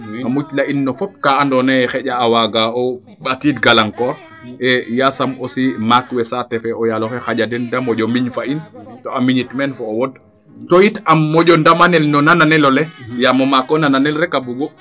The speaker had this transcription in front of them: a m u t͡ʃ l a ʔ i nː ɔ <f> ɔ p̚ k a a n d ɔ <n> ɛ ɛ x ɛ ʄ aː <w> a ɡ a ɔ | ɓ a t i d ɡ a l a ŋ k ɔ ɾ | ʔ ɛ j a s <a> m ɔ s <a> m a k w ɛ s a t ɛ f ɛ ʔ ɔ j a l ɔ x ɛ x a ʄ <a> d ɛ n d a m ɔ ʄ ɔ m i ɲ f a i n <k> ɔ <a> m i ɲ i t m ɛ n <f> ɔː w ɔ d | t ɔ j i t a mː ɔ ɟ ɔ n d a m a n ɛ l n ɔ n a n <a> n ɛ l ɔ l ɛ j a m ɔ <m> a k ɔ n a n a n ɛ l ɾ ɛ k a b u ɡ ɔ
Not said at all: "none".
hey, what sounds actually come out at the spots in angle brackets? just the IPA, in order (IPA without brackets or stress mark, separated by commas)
f, n, w, a, i, a, t, a, f, a, m